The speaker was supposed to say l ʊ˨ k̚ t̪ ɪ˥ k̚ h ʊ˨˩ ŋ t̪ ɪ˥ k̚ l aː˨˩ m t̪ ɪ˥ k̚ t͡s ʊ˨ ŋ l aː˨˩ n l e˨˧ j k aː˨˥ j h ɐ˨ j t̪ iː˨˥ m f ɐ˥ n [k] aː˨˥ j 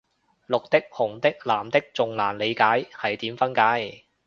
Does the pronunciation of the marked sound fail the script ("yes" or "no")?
no